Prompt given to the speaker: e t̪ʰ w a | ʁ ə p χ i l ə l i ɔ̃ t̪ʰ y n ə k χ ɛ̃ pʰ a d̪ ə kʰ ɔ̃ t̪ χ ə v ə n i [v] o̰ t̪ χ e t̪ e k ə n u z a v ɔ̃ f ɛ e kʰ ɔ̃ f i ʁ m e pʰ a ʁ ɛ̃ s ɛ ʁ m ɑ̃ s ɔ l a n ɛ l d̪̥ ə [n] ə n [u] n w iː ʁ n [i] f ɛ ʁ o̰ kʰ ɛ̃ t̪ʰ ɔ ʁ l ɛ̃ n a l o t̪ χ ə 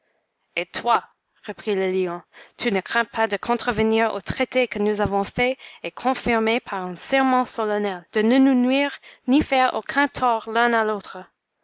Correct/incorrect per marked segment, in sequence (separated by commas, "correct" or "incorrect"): incorrect, correct, correct, correct